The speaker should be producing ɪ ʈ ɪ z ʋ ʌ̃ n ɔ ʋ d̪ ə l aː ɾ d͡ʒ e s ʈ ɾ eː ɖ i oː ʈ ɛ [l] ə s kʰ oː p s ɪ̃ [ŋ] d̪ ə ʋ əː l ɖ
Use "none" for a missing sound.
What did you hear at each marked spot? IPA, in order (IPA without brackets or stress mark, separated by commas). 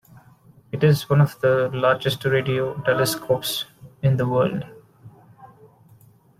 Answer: l, n